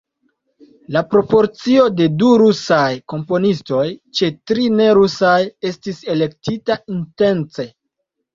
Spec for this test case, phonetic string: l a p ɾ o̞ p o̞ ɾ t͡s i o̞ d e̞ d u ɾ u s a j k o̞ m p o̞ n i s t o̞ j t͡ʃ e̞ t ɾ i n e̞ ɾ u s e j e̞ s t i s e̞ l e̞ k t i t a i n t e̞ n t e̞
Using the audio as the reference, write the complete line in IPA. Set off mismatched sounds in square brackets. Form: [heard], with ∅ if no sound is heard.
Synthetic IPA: l a p ɾ o̞ p o̞ ɾ t͡s i o̞ d e̞ d u ɾ u s a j k o̞ m p o̞ n i s t o̞ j t͡ʃ e̞ t ɾ i n e̞ ɾ u s [a] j e̞ s t i s e̞ l e̞ k t i t a i n t e̞ n [t͡s] e̞